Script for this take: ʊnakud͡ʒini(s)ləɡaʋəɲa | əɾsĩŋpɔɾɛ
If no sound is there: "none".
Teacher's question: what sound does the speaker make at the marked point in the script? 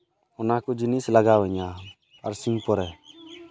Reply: s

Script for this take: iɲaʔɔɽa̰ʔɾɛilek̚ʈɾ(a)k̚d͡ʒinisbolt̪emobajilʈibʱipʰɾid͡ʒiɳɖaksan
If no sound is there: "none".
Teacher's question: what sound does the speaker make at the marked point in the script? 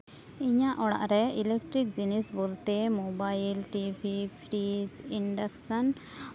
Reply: i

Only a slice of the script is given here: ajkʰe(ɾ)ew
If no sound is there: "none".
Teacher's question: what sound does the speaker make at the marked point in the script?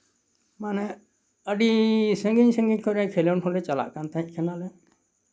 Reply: l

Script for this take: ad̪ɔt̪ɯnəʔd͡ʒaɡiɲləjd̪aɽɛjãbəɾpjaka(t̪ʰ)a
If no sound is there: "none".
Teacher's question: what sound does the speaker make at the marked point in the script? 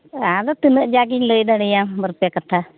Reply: t̪ʰ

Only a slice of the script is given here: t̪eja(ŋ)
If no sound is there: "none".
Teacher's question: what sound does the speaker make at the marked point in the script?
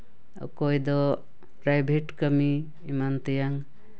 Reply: ŋ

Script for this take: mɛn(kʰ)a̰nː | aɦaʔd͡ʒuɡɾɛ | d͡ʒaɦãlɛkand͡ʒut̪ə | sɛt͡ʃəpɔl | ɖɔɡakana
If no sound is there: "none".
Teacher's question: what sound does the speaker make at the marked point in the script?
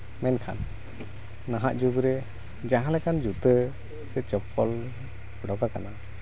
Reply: kʰ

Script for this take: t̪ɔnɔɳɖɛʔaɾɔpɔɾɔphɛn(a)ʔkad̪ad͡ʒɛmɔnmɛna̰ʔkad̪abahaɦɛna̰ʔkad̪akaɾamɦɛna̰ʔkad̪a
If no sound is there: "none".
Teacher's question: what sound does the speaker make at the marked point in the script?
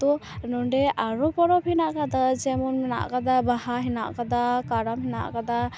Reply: a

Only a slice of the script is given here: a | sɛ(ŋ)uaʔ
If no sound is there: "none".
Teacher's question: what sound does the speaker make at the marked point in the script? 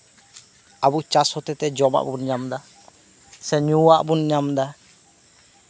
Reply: ɲ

